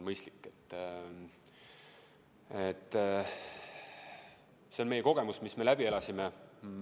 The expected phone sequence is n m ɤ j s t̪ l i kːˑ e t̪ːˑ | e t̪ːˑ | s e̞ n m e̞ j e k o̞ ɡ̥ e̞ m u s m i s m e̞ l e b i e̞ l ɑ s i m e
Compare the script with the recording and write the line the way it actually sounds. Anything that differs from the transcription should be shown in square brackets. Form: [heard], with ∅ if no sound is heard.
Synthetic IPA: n m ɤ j s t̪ l i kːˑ e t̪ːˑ | e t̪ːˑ | s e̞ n m e̞ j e k o̞ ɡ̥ e̞ m u s m i s m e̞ l [æ] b i e̞ l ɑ s i m e